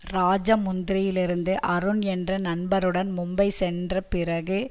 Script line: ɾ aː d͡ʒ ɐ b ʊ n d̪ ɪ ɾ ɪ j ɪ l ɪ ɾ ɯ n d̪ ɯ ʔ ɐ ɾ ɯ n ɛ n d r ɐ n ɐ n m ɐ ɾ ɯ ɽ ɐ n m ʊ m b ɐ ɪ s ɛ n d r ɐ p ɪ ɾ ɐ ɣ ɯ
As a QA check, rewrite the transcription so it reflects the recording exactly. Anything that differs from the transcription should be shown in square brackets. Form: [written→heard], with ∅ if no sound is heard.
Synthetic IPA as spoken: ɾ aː d͡ʒ ɐ [b→m] ʊ n d̪ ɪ ɾ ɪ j ɪ l ɪ ɾ ɯ n d̪ ɯ ʔ ɐ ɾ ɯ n ɛ n d r ɐ n ɐ n [m→b] ɐ ɾ ɯ ɽ ɐ n m ʊ m b ɐ ɪ s ɛ n d r ɐ p ɪ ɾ ɐ ɣ ɯ